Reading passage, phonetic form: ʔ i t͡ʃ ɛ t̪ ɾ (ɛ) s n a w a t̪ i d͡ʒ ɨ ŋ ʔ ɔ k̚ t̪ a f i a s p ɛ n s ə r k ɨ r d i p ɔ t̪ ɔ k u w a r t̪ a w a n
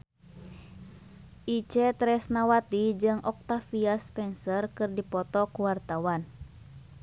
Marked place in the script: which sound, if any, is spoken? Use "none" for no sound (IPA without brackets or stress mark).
ɛ